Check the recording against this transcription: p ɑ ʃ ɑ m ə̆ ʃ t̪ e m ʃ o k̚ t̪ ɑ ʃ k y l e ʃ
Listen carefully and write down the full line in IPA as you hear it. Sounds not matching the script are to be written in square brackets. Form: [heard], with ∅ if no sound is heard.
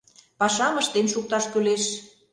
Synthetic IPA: p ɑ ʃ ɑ m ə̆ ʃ t̪ e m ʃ [u] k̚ t̪ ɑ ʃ k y l e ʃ